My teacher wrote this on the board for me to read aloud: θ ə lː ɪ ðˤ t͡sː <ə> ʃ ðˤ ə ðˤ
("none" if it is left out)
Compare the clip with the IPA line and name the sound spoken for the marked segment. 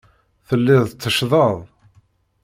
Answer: ə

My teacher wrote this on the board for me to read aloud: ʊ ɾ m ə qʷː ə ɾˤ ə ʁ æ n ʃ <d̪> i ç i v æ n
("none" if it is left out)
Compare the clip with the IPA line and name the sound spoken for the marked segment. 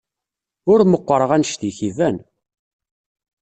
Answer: t̪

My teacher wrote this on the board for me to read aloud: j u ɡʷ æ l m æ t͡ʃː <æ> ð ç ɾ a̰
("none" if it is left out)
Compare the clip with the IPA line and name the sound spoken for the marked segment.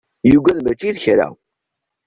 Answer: i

